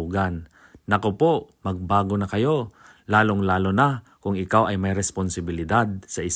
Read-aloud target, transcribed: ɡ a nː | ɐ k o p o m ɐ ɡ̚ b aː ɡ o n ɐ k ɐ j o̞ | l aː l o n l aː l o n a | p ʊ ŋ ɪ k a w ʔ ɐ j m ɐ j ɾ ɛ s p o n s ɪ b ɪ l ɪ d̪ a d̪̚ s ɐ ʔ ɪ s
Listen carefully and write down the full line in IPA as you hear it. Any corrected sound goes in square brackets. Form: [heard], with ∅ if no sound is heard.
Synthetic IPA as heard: ɡ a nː | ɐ k o p o m ɐ ɡ̚ b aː ɡ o n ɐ k ɐ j o̞ | l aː l o [ŋ] l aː l o n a | [k] ʊ ŋ ɪ k a w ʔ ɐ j m ɐ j ɾ ɛ s p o n s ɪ b ɪ l ɪ d̪ a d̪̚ s ɐ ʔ ɪ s

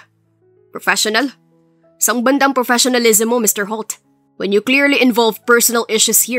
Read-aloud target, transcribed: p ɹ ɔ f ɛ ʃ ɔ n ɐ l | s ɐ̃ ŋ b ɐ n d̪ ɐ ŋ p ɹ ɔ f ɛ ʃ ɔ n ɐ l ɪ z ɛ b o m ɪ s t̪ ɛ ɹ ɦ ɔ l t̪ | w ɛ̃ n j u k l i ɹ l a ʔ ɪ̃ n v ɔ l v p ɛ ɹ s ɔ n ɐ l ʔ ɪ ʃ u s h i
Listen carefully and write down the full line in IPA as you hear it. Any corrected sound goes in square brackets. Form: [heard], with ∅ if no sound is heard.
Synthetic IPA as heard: p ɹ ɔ f ɛ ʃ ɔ n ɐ l | s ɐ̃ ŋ b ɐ n d̪ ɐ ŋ p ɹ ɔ f ɛ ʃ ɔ n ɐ l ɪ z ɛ [m] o m ɪ s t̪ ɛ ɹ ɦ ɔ l t̪ | w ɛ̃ n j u k l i ɹ l [i] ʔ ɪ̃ n v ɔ l v p ɛ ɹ s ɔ n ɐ l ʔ ɪ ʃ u s h i

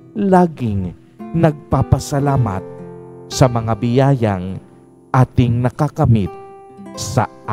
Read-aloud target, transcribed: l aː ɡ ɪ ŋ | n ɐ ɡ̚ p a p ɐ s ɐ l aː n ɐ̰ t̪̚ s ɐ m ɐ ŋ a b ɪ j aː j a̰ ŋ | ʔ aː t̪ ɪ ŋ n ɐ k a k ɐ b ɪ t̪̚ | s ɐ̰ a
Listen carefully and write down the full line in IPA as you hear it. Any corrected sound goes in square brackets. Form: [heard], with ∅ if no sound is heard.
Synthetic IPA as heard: l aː ɡ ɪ ŋ | n ɐ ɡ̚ p a p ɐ s ɐ l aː [m] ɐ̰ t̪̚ s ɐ m ɐ ŋ a b ɪ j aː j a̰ ŋ | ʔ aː t̪ ɪ ŋ n ɐ k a k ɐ [m] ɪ t̪̚ | s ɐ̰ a

